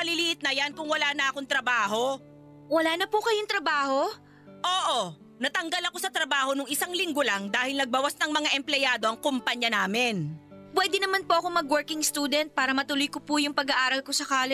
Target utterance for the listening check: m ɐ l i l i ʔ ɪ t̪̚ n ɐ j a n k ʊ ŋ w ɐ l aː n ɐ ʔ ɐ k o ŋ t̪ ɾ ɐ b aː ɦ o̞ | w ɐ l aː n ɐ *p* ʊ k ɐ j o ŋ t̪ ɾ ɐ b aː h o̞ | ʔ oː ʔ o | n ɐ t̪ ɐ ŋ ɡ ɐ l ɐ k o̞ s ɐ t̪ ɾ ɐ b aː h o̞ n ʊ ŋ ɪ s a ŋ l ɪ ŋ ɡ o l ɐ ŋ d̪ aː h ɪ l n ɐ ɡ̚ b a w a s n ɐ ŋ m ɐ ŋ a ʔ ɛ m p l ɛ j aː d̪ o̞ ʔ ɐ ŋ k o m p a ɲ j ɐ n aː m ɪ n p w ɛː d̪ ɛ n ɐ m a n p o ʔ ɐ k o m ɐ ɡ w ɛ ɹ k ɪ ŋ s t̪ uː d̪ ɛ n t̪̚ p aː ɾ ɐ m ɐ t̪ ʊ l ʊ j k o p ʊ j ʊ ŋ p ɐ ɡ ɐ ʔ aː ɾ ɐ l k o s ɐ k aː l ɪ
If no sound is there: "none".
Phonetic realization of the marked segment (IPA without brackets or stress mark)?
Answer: p